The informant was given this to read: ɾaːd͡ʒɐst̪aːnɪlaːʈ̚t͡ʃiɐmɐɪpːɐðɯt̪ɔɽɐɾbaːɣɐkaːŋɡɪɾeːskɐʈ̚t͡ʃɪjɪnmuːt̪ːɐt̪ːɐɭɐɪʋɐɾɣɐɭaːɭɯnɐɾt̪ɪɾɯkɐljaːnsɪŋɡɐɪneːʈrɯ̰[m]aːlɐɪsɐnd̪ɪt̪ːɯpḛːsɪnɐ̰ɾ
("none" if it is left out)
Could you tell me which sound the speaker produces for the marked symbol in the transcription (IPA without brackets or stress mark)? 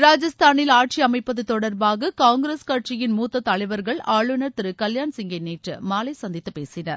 m